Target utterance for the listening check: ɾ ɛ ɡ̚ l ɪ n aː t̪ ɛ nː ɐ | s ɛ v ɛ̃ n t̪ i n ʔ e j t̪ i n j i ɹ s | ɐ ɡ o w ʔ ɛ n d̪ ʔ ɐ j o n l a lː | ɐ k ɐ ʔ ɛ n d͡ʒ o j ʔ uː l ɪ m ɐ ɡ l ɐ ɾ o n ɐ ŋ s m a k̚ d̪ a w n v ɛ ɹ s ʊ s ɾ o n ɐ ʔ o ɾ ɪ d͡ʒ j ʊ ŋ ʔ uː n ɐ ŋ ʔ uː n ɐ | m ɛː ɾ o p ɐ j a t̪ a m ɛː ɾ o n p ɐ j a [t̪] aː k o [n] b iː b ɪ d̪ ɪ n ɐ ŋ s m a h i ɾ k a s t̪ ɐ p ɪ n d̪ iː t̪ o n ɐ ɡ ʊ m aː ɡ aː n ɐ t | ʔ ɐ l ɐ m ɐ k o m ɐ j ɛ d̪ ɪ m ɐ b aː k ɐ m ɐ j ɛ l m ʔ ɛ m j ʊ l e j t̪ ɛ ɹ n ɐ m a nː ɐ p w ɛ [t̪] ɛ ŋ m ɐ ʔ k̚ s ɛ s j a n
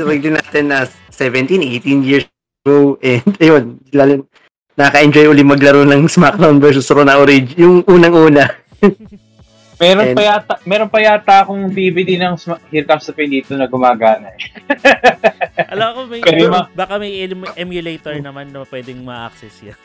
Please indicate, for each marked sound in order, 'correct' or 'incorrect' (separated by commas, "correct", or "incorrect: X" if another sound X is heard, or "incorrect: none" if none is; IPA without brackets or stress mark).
correct, incorrect: ŋ, incorrect: d̪